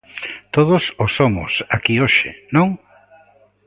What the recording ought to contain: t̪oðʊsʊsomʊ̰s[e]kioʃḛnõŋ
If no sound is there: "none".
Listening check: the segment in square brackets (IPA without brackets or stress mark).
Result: a